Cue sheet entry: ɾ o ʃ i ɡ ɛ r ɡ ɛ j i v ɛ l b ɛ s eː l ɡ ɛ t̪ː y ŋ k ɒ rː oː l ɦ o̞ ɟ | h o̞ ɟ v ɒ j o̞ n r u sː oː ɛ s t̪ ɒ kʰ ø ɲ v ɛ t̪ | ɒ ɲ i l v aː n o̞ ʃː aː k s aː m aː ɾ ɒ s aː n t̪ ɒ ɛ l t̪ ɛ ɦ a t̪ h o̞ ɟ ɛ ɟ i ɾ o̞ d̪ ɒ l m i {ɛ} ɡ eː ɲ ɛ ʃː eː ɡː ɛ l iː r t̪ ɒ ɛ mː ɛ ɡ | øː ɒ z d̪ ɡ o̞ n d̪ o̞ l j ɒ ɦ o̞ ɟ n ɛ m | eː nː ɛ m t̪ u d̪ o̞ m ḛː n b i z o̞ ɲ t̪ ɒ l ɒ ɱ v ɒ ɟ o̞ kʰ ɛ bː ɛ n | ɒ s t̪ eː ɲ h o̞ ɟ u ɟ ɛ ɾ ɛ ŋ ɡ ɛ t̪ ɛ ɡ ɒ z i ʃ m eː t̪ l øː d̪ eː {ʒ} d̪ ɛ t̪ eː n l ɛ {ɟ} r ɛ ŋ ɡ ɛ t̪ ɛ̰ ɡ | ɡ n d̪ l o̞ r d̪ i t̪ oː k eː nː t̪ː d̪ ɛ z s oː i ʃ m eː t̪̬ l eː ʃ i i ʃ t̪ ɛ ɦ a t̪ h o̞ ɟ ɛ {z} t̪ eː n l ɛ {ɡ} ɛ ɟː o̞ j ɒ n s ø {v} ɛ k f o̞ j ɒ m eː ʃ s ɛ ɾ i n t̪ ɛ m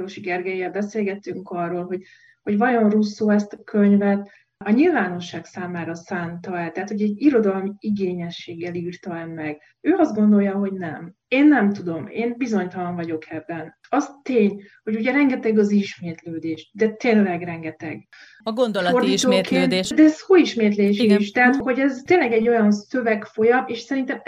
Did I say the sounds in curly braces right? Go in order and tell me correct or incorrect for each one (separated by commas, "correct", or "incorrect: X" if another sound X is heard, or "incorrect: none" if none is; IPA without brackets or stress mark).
incorrect: i, incorrect: ʃ, incorrect: ɡ, correct, correct, correct